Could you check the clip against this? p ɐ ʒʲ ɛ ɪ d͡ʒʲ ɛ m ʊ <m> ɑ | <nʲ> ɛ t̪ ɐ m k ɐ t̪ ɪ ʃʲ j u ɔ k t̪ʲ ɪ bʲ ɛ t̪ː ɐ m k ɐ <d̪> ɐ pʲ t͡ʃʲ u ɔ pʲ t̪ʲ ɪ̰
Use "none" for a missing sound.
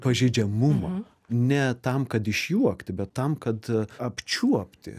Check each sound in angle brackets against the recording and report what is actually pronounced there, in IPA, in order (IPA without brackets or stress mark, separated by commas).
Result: m, nʲ, t̪